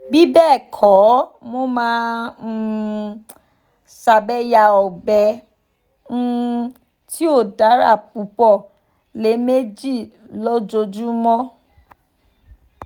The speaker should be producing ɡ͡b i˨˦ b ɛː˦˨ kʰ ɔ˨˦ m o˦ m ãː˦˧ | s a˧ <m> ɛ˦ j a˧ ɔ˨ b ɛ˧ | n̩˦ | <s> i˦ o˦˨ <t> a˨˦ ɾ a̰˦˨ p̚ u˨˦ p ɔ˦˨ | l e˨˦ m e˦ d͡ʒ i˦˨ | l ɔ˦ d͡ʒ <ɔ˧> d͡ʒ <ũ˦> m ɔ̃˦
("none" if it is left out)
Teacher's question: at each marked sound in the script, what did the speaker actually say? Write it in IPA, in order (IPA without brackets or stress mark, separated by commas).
b, t, d, o˧, u˦